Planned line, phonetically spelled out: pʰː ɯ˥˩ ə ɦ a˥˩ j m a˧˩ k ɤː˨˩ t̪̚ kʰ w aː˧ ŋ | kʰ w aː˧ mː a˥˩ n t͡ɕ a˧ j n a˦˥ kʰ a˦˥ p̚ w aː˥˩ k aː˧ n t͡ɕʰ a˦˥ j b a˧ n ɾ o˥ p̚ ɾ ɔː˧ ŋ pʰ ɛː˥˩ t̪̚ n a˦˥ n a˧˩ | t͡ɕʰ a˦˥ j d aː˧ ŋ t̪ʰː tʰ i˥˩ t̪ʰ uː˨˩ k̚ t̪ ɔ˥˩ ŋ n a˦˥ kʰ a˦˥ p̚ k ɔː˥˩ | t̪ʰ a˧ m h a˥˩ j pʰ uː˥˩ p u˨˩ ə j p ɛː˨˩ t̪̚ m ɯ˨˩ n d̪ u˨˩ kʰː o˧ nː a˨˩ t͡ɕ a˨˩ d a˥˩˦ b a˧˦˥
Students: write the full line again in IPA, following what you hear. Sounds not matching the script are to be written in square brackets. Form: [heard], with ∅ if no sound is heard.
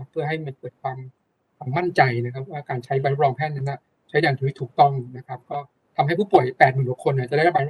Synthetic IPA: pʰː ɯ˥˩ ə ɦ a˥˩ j m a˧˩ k ɤː˨˩ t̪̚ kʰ w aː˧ [m] | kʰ w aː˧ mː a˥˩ n t͡ɕ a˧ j n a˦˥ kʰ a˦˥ p̚ w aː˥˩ k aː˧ n t͡ɕʰ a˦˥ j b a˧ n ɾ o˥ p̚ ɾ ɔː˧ ŋ pʰ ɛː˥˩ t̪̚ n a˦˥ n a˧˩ | t͡ɕʰ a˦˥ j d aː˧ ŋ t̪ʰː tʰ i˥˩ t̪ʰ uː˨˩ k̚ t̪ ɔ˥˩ ŋ n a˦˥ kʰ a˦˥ p̚ k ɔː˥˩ | t̪ʰ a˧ m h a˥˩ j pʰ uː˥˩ p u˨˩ ə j p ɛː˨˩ t̪̚ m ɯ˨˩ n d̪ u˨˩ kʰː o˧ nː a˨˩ t͡ɕ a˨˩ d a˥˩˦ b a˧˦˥